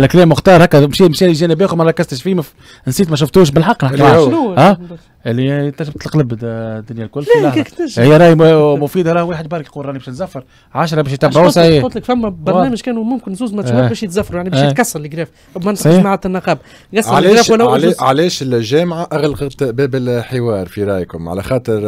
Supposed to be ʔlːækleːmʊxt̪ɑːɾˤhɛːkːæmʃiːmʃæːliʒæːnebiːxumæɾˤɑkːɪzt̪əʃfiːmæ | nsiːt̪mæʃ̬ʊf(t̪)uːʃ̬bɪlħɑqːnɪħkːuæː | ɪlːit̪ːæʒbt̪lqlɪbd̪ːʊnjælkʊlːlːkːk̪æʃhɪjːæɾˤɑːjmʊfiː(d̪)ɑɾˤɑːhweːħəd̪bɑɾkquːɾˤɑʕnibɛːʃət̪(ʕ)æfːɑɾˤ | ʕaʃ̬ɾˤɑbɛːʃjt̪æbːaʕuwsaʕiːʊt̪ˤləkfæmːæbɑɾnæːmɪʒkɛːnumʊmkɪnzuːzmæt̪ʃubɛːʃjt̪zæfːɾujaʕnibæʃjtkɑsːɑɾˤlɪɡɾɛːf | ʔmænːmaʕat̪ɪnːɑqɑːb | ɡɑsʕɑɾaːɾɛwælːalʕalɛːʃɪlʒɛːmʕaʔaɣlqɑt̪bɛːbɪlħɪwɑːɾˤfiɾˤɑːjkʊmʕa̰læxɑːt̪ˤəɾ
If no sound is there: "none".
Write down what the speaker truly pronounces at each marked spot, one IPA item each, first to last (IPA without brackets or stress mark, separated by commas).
t̪, d̪, z